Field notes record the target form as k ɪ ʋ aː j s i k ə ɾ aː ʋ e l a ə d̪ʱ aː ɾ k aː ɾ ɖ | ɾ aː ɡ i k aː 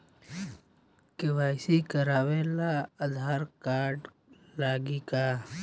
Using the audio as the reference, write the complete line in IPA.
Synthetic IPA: k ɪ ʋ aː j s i k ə ɾ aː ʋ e l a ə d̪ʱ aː ɾ k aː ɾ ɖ | l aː ɡ i k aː